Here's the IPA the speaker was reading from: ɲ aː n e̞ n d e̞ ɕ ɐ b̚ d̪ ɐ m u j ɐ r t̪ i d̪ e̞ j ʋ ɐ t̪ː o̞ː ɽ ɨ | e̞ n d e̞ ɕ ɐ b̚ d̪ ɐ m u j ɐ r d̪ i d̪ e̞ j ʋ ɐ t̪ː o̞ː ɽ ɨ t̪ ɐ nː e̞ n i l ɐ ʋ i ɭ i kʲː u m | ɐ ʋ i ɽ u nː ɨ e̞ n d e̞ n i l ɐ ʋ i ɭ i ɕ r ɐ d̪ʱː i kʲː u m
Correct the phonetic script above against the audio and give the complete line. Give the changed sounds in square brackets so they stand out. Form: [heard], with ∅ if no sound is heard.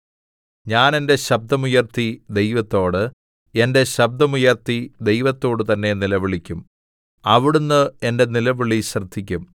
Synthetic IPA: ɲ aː n e̞ n d e̞ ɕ ɐ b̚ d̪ ɐ m u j ɐ r t̪ i d̪ e̞ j ʋ ɐ t̪ː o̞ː ɽ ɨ | e̞ n d e̞ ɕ ɐ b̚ d̪ ɐ m u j ɐ r [t̪] i d̪ e̞ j ʋ ɐ t̪ː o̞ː ɽ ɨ t̪ ɐ nː e̞ n i l ɐ ʋ i ɭ i kʲː u m | ɐ ʋ i ɽ u nː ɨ e̞ n d e̞ n i l ɐ ʋ i ɭ i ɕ r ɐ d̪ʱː i kʲː u m